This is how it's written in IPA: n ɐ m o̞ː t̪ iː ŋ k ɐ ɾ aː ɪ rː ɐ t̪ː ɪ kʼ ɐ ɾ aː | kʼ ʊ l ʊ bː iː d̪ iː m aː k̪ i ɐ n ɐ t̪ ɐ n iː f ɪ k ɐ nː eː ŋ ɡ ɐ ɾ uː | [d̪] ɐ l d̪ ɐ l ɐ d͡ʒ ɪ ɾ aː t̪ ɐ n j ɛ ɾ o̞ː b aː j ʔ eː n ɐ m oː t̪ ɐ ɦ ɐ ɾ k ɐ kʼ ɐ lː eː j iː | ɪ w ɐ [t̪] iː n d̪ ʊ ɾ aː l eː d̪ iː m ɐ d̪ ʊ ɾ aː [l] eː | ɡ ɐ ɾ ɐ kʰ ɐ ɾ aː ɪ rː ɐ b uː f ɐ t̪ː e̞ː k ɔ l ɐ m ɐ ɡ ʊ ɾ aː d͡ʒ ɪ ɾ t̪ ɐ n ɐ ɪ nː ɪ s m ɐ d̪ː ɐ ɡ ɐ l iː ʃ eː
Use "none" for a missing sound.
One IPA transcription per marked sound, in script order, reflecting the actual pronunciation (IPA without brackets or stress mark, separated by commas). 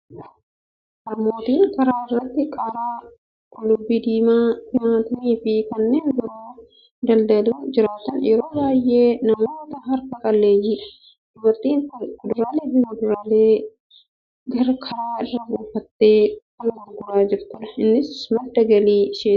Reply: d̪, t̪, l